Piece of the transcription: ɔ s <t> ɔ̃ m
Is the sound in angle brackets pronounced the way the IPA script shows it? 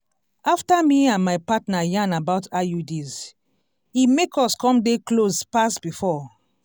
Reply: no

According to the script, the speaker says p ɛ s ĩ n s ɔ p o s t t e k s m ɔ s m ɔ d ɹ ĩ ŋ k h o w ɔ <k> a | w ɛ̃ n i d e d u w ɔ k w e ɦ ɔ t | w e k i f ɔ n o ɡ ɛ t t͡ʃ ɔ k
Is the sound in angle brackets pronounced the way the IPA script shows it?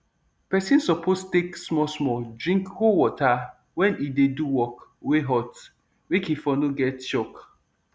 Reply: no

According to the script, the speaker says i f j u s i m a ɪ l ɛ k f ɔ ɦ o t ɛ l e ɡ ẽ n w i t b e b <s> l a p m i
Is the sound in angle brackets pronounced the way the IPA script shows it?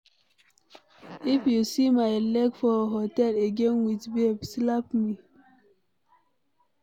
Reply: yes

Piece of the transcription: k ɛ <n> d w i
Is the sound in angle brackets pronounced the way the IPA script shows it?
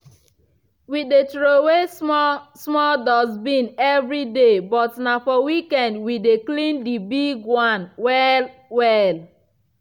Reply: yes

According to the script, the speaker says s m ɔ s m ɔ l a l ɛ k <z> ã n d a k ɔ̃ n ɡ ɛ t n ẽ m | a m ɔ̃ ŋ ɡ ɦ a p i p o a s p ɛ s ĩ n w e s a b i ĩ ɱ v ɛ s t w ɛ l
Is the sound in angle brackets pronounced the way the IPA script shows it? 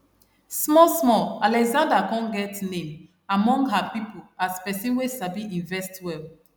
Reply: yes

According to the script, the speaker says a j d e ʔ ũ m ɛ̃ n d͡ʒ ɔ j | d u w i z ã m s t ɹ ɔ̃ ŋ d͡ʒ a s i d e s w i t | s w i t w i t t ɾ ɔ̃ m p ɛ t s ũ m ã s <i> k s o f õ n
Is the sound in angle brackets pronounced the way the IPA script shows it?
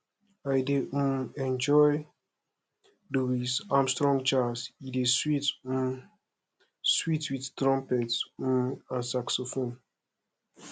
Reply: no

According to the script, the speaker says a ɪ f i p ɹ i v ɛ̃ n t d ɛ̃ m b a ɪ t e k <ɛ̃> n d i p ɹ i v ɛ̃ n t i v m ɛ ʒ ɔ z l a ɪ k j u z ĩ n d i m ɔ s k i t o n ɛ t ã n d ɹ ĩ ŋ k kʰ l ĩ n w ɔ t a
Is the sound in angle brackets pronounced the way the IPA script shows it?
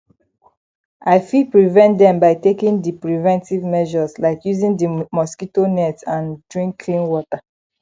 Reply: no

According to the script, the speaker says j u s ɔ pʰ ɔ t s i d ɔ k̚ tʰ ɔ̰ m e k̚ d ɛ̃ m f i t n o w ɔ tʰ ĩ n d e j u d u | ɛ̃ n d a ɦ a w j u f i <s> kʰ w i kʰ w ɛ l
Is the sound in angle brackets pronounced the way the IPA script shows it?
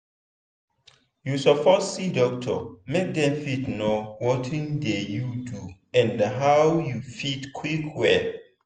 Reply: no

